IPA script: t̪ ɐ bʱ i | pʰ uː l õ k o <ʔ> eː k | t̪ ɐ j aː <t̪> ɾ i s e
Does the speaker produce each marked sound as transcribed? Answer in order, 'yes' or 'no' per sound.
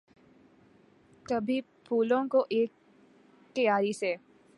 yes, no

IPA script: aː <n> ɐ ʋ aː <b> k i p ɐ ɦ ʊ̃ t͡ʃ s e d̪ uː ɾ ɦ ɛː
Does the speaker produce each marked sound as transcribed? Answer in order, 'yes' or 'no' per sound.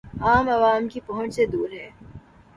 no, no

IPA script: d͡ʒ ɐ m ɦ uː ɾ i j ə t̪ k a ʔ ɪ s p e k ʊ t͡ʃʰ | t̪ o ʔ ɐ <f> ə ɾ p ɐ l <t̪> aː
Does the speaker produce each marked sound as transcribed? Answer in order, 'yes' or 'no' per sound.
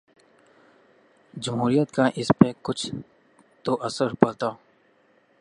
no, yes

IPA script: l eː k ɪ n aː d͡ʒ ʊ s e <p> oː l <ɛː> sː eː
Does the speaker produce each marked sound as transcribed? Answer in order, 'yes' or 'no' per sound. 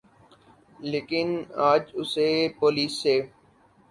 yes, no

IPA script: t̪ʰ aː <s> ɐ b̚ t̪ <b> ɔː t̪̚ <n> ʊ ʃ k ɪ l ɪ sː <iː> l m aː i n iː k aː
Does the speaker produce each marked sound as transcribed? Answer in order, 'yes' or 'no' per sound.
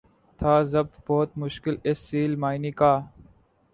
no, yes, no, yes

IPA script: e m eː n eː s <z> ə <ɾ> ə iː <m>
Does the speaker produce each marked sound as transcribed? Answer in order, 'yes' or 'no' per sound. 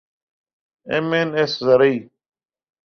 yes, yes, no

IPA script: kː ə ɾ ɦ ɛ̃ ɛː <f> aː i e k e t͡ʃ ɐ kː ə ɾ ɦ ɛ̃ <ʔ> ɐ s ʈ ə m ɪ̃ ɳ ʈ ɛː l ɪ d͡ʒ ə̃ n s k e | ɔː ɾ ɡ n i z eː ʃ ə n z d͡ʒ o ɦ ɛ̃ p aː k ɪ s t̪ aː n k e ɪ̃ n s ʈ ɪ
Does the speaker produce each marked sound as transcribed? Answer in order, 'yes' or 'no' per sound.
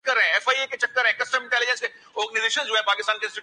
yes, no

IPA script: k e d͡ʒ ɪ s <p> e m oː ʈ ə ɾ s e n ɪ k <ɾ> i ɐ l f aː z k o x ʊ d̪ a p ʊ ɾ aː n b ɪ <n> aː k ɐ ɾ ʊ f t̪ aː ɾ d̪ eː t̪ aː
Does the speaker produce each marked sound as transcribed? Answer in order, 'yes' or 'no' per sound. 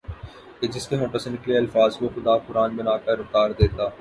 no, no, yes

